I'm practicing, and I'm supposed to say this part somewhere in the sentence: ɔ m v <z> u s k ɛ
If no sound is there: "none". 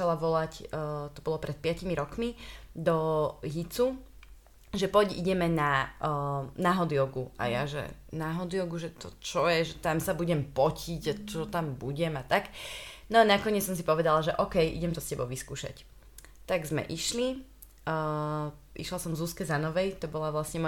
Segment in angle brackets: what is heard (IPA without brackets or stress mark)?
z